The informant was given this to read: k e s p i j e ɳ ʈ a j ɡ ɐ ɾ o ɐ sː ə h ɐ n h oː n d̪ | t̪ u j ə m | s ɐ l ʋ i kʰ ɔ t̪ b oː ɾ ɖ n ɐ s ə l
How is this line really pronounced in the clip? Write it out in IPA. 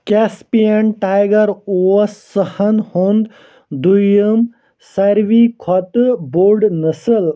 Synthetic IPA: k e s p i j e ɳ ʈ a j ɡ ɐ ɾ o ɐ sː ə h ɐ n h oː n d̪ | d̪ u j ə m | s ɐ ɾ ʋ i kʰ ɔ t̪ b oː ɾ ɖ n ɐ s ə l